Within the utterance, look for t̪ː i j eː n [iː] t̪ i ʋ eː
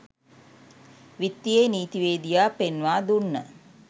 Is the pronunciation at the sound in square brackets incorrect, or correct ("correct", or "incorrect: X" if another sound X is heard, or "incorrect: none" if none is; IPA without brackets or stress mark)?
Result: correct